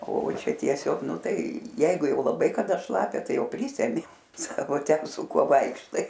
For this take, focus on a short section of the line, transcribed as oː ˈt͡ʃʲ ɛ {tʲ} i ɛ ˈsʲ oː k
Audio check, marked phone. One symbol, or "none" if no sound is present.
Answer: tʲ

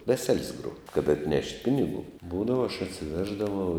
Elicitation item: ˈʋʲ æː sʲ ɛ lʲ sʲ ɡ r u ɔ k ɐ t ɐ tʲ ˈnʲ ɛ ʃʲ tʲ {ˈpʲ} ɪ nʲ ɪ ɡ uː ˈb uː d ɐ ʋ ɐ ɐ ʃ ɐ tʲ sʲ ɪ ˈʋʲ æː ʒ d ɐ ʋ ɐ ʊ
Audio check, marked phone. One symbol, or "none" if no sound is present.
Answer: pʲ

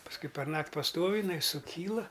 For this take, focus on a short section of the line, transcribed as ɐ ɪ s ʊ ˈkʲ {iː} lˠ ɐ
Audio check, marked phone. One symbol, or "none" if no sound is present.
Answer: iː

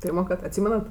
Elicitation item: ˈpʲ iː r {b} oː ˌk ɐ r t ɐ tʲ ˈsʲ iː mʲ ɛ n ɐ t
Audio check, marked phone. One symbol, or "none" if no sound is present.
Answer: m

